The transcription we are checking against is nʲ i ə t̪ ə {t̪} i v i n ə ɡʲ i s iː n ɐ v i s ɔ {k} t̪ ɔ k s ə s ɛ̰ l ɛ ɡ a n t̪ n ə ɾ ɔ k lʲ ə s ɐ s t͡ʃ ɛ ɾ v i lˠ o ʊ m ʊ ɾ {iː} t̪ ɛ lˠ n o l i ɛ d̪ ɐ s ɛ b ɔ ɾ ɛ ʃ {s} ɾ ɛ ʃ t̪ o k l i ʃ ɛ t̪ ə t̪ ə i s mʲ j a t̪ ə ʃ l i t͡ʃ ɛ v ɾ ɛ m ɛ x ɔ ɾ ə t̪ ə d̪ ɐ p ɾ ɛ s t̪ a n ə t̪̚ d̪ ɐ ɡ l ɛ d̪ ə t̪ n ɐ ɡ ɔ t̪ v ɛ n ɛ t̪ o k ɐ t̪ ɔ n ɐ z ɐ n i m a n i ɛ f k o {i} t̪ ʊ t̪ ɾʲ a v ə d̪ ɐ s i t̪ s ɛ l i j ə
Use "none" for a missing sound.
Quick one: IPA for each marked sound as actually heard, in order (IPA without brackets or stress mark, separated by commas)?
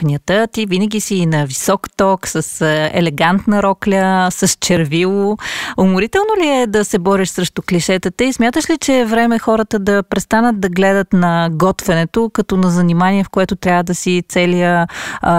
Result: t̪, k, i, s, ɛ